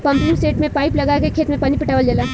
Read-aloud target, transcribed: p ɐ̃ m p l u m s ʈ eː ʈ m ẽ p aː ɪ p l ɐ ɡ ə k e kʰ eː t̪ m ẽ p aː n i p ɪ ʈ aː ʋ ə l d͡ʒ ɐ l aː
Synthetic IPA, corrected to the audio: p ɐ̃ m p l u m s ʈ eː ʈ m ẽ p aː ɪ p l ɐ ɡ a k e kʰ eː t̪ m ẽ p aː n i p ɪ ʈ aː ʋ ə l d͡ʒ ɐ l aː